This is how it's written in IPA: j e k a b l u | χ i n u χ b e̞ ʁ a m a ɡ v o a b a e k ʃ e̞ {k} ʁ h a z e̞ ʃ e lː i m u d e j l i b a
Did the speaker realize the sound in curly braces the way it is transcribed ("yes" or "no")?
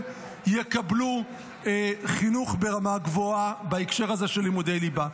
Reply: no